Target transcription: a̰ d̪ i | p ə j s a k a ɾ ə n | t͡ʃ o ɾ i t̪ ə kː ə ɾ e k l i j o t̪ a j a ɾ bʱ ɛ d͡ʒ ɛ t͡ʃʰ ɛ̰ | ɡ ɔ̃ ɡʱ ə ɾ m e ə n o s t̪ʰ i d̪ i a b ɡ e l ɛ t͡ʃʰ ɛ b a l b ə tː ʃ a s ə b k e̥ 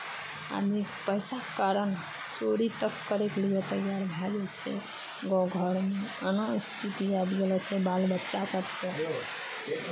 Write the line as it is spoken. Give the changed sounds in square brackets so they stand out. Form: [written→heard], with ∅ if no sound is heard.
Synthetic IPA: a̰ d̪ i | p ə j s a k a ɾ ə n | t͡ʃ o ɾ i t̪ ə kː ə ɾ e k l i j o t̪ [a→ə] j a ɾ bʱ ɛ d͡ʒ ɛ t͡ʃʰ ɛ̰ | ɡ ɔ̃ ɡʱ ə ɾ m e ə n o s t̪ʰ i [d̪→t̪] i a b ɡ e l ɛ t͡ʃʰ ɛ b a l b ə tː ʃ a s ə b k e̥